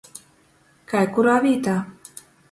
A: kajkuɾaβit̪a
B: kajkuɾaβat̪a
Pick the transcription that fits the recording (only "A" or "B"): A